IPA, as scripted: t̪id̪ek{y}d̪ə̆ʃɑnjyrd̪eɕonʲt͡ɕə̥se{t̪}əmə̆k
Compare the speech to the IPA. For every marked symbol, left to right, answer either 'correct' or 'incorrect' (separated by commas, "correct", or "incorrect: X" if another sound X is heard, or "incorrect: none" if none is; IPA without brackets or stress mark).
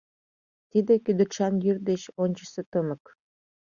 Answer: correct, correct